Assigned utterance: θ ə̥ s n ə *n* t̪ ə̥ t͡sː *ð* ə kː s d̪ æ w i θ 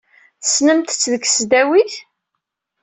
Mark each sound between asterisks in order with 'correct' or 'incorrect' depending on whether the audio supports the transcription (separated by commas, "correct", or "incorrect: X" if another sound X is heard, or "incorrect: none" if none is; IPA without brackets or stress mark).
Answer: incorrect: m, correct